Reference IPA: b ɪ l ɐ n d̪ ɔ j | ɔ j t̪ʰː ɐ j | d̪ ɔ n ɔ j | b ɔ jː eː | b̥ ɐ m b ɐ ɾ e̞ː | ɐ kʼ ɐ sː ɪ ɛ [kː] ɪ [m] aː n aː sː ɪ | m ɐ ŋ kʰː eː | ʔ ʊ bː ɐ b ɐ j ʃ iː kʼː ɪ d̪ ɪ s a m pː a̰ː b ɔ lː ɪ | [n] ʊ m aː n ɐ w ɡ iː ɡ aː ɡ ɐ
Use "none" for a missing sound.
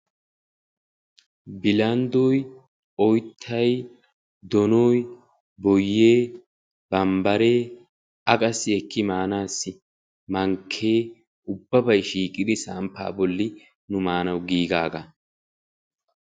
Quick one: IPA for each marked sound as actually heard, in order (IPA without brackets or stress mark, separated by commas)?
kː, m, n